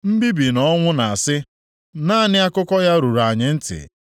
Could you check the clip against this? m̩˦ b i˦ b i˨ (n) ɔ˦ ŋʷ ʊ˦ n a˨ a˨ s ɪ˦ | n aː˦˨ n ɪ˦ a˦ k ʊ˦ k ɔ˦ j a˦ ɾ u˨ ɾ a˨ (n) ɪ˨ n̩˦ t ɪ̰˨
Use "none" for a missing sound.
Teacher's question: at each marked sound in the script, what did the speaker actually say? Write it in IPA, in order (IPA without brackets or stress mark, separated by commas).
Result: n, ɲ